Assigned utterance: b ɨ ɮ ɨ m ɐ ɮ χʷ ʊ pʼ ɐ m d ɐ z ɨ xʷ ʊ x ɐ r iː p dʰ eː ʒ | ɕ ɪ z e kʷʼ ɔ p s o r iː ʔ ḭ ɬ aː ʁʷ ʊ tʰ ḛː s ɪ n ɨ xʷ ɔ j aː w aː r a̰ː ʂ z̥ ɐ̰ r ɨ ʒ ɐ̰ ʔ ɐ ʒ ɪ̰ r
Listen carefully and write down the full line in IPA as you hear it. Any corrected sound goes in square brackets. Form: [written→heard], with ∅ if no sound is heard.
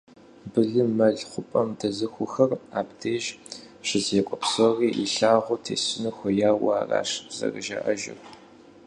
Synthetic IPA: b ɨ ɮ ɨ m ɐ ɮ χʷ ʊ pʼ ɐ m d ɐ z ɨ xʷ ʊ x ɐ r [iː→aː] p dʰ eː ʒ | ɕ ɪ z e kʷʼ ɔ p s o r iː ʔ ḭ ɬ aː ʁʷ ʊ tʰ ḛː s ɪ n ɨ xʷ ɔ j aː w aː r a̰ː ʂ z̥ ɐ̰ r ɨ ʒ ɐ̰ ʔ ɐ ʒ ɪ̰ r

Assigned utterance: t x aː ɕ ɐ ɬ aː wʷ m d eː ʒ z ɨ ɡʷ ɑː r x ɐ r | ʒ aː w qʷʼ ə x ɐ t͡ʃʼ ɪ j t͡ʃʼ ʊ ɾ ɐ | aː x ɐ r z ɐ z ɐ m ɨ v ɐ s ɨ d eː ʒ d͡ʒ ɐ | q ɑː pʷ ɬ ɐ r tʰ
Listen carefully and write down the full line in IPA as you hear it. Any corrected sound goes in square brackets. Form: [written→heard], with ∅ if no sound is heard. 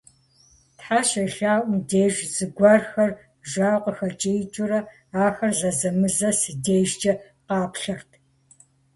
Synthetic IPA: t [x→ħ] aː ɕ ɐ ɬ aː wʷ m d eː ʒ z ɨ ɡʷ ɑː r x ɐ r | ʒ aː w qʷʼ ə x ɐ t͡ʃʼ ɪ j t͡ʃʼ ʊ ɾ ɐ | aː x ɐ r z ɐ z ɐ m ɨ [v→z] ɐ s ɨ d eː ʒ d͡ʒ ɐ | q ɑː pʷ ɬ ɐ r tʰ

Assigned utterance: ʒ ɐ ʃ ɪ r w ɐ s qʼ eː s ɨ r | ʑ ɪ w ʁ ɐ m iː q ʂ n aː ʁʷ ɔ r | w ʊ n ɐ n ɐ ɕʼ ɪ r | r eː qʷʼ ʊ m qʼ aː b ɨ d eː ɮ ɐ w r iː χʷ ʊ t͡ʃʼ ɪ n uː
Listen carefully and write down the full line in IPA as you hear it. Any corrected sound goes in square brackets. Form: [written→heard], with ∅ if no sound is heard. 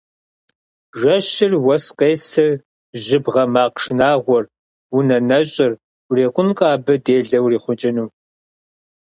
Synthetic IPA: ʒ ɐ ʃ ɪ r w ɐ s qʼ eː s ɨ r | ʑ ɪ [w→b] ʁ ɐ m [iː→aː] q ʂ n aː ʁʷ ɔ r | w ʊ n ɐ n ɐ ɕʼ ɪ r | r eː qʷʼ ʊ [m→n] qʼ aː b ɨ d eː ɮ ɐ w r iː χʷ ʊ t͡ʃʼ ɪ n uː

